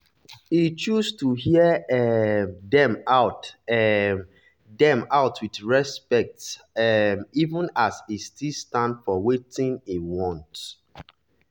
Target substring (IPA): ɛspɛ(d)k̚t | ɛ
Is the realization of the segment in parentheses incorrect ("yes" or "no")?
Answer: yes